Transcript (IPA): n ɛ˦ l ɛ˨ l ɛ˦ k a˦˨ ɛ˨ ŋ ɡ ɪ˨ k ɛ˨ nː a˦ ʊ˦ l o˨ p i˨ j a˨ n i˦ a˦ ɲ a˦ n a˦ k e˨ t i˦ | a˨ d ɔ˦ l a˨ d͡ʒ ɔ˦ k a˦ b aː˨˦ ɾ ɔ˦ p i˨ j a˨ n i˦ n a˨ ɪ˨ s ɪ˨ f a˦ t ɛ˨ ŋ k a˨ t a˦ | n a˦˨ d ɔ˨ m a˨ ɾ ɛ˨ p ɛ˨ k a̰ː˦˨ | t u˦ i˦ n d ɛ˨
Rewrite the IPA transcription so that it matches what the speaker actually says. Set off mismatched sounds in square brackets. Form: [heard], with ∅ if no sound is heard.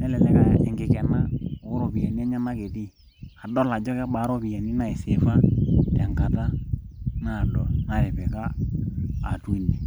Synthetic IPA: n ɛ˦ l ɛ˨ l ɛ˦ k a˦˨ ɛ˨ ŋ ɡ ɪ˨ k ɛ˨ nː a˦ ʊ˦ [ɾ] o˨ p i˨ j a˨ n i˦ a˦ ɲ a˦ n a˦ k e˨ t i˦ | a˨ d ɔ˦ l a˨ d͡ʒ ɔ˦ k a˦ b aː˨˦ ɾ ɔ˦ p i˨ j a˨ n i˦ n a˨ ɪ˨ s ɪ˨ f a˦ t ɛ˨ ŋ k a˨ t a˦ | n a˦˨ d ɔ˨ [n] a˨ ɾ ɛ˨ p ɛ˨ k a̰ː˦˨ | t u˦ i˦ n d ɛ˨

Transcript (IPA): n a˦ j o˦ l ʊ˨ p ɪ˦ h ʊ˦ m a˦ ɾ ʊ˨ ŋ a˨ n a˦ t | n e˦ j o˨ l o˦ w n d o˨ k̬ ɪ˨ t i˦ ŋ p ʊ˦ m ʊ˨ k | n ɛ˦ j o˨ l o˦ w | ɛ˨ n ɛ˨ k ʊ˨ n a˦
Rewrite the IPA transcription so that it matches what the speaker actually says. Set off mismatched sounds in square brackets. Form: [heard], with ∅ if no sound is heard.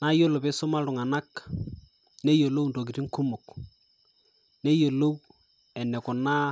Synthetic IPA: n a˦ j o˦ l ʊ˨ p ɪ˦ [s] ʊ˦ m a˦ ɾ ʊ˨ ŋ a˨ n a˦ [k] | n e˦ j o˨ l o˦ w n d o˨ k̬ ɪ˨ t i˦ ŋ [k] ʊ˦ m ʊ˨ k | n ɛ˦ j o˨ l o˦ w | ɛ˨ n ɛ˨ k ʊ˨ n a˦

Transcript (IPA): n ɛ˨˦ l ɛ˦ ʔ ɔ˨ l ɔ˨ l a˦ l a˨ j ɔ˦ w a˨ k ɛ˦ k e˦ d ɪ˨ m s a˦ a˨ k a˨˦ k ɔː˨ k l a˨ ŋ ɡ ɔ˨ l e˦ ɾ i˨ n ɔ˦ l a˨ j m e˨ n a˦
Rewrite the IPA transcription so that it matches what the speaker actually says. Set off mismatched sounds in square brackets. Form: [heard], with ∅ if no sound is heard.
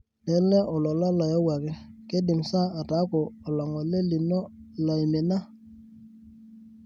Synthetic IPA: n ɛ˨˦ l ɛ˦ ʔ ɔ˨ l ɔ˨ l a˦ l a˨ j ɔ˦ w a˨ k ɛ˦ k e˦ d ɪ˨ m s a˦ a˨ [t] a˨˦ k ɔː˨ [∅] l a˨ ŋ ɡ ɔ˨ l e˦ [l] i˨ n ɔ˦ l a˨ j m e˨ n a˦

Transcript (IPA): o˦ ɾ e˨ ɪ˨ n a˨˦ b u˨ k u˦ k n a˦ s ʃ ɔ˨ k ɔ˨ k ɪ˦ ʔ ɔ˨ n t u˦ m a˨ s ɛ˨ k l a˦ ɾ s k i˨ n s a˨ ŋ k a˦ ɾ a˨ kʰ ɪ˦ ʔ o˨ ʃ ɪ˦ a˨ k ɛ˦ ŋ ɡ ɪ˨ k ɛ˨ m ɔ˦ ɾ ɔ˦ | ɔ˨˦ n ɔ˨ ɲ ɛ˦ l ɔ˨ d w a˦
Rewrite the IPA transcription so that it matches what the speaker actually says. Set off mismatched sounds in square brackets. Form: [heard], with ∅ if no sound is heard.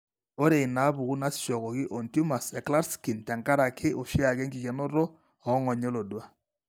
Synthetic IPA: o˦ ɾ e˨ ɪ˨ n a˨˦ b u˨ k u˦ [∅] n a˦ s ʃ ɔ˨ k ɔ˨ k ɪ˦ ʔ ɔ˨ n t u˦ m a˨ s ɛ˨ k l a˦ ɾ s k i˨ n [t] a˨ ŋ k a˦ ɾ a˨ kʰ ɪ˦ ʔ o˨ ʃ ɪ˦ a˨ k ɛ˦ ŋ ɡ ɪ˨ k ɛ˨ [n] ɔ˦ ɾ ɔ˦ | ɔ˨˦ [ŋ] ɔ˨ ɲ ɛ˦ l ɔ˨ d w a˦

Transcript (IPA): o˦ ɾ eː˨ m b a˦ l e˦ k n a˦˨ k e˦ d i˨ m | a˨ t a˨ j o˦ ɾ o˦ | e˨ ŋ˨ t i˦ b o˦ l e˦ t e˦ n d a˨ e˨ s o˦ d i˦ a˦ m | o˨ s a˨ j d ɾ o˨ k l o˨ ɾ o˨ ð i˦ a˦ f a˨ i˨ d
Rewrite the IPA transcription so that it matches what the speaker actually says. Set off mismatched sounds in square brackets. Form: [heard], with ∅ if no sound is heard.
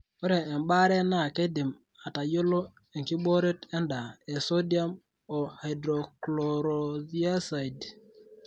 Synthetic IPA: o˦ ɾ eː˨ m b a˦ [ɾ] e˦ [∅] n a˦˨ k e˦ d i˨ m | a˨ t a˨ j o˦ [l] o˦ | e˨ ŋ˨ [k] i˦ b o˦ [ɾ] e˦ t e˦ n d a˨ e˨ s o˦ d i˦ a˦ m | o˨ [h] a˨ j d ɾ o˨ k l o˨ ɾ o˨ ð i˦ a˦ [s] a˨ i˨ d

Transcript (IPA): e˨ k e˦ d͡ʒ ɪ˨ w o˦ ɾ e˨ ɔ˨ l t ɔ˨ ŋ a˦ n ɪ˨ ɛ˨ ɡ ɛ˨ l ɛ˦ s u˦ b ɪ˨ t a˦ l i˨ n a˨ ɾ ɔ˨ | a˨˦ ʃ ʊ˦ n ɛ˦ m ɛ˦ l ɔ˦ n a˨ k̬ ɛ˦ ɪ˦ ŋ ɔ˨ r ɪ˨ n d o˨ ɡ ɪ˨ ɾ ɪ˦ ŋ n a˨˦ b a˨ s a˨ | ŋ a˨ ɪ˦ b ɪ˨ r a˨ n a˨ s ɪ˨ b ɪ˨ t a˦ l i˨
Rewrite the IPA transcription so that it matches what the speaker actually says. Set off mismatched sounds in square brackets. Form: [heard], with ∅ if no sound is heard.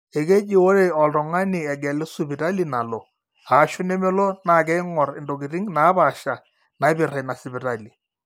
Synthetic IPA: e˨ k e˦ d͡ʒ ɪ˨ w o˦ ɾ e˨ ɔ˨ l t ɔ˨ ŋ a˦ n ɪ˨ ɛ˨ ɡ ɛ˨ l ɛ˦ s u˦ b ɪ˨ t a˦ l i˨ n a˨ [l] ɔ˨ | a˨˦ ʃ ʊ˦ n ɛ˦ m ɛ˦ l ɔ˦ n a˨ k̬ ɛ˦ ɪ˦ ŋ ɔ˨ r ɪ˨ n d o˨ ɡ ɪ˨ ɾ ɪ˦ ŋ n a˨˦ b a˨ [ʃ] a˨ | [n] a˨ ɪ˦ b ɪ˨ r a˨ n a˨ s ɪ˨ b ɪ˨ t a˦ l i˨

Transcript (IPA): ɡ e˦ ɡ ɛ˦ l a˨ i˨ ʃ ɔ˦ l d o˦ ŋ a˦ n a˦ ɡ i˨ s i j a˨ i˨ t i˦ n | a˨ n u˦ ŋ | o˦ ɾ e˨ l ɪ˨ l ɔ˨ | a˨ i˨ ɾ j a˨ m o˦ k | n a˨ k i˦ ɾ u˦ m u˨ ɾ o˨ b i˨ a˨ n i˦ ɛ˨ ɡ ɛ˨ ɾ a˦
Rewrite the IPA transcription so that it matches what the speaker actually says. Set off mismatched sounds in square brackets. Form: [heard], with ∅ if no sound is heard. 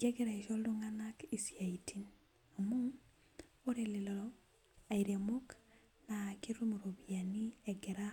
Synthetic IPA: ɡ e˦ ɡ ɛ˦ [ɾ] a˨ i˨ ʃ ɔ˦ l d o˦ ŋ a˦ n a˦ [k] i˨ s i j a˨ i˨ t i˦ n | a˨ [m] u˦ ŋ | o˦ ɾ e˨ l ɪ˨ l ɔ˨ | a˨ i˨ ɾ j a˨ m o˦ k | n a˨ k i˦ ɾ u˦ m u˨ ɾ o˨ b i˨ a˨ n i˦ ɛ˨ ɡ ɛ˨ ɾ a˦

